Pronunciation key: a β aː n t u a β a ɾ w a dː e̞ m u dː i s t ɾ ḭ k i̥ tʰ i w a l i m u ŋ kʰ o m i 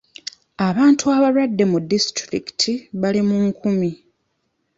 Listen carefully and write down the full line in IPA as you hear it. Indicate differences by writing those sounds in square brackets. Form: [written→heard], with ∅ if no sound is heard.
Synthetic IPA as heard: a β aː n t u a β a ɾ w a dː e̞ m u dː i s t ɾ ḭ k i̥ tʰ i [w→β] a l i m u ŋ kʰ [o→u] m i